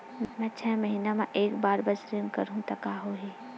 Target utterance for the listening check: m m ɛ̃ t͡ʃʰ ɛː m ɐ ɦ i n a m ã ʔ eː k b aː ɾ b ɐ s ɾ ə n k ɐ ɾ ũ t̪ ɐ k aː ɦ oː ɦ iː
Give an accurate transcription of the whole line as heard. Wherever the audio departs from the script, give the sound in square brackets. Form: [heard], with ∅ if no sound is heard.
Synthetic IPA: m m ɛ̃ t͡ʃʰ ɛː m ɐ ɦ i n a m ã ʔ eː k b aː ɾ b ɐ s ɾ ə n k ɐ ɾ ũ t̪ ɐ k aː ɦ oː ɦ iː